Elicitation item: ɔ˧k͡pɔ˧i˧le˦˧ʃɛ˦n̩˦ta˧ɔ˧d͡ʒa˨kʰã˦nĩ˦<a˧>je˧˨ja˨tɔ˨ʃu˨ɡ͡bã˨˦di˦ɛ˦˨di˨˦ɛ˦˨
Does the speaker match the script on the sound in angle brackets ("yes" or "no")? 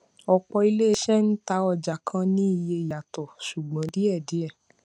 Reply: no